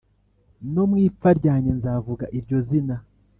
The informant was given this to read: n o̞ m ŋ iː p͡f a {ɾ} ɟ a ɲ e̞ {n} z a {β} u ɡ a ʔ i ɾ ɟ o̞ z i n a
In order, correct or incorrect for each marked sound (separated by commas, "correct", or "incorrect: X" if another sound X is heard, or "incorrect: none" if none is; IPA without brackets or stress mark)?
correct, correct, incorrect: v